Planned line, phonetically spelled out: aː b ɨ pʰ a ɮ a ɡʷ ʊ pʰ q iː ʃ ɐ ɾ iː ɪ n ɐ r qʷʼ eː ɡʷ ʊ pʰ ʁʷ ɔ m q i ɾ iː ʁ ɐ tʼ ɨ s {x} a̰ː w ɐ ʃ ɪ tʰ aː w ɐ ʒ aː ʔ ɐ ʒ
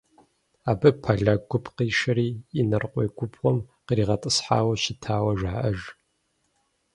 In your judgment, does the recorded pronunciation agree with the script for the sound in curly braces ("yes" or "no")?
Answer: no